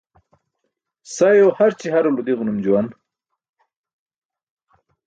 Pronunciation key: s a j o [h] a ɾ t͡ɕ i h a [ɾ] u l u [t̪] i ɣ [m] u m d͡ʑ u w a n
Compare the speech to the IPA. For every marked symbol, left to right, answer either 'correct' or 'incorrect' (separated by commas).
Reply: correct, correct, incorrect, incorrect